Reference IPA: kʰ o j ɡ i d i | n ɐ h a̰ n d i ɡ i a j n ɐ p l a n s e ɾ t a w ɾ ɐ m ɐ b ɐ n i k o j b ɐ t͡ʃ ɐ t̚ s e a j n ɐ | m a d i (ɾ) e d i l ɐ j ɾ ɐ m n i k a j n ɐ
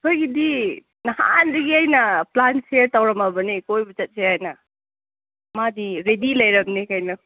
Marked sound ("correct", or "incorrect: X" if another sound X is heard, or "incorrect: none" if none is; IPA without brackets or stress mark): correct